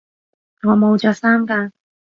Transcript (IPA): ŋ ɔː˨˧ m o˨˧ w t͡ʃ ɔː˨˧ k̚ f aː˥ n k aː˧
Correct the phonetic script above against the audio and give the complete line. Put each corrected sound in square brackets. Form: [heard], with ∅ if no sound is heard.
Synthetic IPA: ŋ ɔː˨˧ m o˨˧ w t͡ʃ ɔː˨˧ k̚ [s] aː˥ [m] k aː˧